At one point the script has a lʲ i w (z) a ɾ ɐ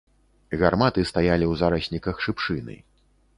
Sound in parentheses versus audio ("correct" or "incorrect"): correct